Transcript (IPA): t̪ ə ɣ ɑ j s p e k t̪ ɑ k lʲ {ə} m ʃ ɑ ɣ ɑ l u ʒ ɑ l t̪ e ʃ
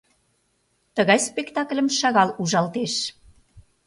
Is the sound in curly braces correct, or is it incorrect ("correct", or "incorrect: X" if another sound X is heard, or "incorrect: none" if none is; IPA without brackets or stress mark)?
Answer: correct